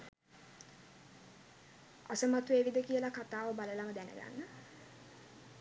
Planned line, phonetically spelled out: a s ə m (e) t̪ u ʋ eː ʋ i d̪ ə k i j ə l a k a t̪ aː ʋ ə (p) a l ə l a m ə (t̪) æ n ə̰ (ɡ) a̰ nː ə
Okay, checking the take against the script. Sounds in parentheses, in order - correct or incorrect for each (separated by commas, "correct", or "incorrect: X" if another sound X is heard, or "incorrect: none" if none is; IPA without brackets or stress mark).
incorrect: a, incorrect: b, incorrect: d̪, correct